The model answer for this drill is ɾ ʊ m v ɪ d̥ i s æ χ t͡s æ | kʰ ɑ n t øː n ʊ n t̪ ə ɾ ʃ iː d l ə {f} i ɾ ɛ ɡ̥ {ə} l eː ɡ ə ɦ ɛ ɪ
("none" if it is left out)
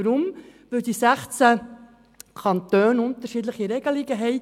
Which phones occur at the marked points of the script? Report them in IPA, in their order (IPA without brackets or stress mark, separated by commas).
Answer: χ, ə